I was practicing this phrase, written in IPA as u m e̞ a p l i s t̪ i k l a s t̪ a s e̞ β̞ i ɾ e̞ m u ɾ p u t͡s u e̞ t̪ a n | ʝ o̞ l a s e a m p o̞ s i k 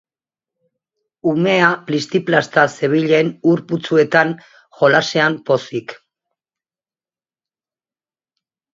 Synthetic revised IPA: u m e̞ a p l i s t̪ i p l a s t̪ a s e̞ β̞ i ʎ e̞ n u ɾ p u t͡s u e̞ t̪ a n | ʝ o̞ l a s e a m p o̞ s i k